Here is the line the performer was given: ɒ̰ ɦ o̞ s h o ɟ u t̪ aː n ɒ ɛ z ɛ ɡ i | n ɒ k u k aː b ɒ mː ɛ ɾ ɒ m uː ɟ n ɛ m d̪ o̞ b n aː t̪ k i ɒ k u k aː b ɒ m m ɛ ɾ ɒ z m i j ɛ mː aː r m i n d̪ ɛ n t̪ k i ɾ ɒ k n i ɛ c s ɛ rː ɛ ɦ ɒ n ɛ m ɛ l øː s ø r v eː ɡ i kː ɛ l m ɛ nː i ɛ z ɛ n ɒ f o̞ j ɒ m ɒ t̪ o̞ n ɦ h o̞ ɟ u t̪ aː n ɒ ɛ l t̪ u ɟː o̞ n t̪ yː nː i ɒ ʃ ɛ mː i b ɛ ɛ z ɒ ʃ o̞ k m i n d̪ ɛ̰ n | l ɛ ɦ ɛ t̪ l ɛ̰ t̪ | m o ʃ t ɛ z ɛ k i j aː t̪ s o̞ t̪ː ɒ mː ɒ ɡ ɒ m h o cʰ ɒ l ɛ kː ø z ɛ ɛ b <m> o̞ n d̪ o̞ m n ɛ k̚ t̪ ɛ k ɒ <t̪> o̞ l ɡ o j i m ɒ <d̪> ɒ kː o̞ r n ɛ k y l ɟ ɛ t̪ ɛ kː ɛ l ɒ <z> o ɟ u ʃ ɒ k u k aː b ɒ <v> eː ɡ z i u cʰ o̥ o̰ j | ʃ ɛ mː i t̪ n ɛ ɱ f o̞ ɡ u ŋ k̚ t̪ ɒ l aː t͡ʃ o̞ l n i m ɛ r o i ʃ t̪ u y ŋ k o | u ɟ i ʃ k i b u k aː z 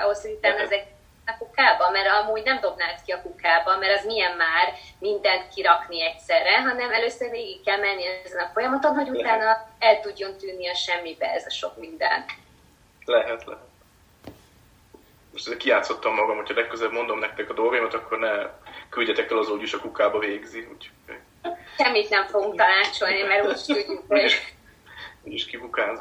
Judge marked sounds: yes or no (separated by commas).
yes, no, no, yes, yes